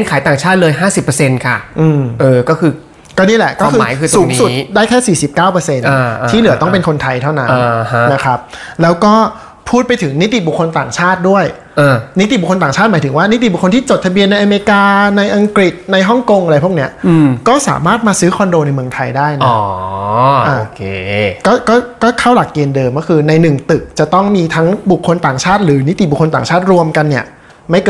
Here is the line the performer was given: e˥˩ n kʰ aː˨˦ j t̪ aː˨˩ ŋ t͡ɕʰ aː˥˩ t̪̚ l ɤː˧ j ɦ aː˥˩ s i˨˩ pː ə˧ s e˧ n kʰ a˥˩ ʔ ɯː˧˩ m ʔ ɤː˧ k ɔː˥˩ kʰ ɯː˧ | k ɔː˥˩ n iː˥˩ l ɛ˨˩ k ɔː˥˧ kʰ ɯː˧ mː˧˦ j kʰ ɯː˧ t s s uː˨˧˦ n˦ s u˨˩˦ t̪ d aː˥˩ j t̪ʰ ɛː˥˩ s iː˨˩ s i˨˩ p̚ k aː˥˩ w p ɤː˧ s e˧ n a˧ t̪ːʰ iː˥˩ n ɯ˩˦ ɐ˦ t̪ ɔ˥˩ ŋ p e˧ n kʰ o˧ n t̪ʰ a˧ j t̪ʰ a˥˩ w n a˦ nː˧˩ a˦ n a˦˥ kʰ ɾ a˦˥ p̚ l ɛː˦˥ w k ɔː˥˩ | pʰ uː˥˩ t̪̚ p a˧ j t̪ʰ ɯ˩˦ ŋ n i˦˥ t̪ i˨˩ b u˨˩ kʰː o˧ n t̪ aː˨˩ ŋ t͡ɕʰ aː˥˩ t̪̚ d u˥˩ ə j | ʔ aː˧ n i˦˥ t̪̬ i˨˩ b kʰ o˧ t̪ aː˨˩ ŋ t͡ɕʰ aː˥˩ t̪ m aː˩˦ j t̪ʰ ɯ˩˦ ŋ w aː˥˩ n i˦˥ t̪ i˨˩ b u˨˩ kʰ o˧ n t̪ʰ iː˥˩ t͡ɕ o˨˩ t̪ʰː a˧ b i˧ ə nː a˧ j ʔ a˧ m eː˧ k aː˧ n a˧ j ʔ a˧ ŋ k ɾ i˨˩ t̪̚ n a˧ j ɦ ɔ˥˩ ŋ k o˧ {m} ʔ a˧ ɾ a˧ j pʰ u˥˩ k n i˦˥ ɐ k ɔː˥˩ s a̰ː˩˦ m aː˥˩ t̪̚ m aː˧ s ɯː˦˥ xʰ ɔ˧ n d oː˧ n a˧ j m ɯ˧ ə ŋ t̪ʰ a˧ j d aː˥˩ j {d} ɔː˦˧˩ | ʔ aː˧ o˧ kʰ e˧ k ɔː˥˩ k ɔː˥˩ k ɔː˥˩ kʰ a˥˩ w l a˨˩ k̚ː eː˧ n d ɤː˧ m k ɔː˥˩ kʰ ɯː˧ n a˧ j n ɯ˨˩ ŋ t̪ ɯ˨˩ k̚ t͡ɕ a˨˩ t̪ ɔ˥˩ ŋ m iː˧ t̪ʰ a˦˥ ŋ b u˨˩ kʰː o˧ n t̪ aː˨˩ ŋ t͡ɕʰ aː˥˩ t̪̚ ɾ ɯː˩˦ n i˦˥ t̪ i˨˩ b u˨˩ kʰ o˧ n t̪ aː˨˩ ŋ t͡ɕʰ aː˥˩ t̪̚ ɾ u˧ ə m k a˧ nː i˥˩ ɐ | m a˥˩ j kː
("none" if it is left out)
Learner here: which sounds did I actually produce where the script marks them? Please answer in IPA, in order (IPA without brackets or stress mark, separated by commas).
ŋ, n